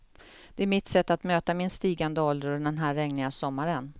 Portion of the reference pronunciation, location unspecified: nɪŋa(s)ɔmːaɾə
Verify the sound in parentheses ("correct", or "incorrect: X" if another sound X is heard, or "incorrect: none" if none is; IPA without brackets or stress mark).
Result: correct